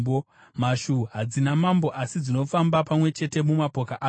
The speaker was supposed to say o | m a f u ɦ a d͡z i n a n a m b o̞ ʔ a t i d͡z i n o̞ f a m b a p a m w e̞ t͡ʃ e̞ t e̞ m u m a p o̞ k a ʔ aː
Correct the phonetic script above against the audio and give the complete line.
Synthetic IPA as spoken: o | m a ʃ u ɦ a d͡z i n a m a m b o̞ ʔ a s i d͡z i n o̞ f a m b a p a m w e̞ t͡ʃ e̞ t e̞ m u m a p o̞ k a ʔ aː